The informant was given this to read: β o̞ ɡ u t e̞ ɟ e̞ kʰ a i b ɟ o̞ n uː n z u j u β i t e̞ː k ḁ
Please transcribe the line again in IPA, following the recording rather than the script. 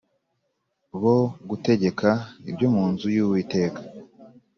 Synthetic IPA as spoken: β o̞ ɡ u t e̞ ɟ e̞ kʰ a i b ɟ o̞ m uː n z u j u w i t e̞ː k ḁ